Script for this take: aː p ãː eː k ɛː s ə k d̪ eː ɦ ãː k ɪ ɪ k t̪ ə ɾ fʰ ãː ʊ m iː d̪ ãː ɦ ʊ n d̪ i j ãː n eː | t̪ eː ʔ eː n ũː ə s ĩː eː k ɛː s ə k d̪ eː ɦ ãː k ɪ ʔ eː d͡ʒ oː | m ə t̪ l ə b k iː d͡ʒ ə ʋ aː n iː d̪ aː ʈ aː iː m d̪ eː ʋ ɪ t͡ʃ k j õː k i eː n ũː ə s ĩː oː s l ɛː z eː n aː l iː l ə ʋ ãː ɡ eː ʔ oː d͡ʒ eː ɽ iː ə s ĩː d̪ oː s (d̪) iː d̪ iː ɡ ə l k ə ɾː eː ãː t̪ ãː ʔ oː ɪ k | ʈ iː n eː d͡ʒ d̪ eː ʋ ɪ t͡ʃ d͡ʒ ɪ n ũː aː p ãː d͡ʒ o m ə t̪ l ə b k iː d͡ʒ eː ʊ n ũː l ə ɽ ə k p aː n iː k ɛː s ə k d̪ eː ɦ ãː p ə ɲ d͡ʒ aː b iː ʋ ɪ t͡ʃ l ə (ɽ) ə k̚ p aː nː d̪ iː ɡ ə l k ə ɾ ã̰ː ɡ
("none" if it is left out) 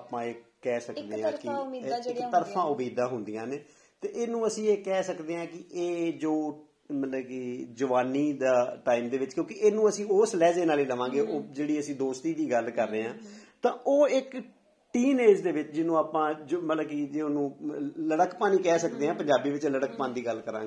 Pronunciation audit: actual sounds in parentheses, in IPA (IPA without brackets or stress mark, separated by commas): t̪, ɽ